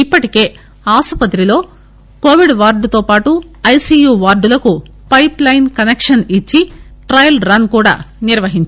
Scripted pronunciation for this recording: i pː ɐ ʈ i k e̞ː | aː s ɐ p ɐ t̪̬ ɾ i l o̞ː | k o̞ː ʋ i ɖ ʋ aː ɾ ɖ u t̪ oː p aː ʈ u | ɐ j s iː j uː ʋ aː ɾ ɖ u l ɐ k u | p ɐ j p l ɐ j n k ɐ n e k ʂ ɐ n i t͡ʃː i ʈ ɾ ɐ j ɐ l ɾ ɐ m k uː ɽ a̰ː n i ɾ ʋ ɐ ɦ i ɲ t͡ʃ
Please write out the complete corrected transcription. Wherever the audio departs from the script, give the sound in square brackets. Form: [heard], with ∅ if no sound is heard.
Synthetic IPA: i pː ɐ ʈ i k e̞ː | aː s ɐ p ɐ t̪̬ ɾ i l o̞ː | k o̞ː ʋ i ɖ ʋ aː ɾ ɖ u t̪ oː p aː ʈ u | ɐ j s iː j uː ʋ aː ɾ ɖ u l ɐ k u | p ɐ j p l ɐ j n k ɐ n e k ʂ ɐ n i t͡ʃː i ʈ ɾ ɐ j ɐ l ɾ ɐ [n] k uː ɽ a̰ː n i ɾ ʋ ɐ ɦ i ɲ t͡ʃ

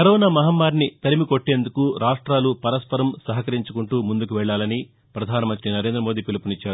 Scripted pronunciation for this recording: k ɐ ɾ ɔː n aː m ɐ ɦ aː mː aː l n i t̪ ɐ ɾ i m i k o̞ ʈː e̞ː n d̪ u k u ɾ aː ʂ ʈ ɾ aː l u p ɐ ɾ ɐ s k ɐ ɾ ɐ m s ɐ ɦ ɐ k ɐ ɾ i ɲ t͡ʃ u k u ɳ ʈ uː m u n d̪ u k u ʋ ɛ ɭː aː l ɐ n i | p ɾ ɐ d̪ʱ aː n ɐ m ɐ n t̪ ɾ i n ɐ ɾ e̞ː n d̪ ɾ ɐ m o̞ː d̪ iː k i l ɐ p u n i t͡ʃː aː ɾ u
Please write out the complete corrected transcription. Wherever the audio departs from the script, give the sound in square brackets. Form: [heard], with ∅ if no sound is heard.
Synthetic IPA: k ɐ ɾ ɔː n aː m ɐ ɦ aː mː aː [ɾ] n i t̪ ɐ ɾ i m i k o̞ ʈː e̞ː n d̪ u k u ɾ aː ʂ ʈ ɾ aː l u p ɐ ɾ ɐ s [p] ɐ ɾ ɐ m s ɐ ɦ ɐ k ɐ ɾ i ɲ t͡ʃ u k u ɳ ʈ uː m u n d̪ u k u ʋ ɛ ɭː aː l ɐ n i | p ɾ ɐ d̪ʱ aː n ɐ m ɐ n t̪ ɾ i n ɐ ɾ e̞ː n d̪ ɾ ɐ m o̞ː d̪ iː [p] i l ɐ p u n i t͡ʃː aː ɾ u

